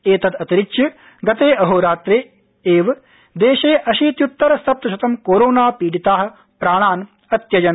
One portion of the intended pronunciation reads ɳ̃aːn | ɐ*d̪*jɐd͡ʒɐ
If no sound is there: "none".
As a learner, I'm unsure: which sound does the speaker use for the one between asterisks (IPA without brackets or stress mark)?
t̪